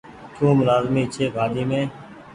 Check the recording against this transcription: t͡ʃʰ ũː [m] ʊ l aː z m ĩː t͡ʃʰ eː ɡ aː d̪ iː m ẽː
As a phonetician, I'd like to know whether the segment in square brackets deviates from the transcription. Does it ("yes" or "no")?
no